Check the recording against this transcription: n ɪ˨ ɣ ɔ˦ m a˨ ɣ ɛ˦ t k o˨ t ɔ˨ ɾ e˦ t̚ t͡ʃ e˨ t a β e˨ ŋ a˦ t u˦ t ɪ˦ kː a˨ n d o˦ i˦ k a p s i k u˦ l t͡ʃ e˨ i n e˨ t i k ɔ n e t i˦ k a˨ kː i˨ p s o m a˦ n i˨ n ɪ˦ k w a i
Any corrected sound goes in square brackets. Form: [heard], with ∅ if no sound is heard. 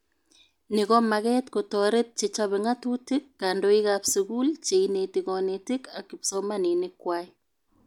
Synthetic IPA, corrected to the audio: n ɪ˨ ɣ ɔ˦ m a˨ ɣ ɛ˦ t k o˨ t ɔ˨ ɾ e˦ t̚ t͡ʃ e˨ [t͡ʃ] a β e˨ ŋ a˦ t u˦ t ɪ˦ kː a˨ n d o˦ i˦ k a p s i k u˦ l t͡ʃ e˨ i n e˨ t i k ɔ n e t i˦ k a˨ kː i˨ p s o m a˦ n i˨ n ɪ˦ k w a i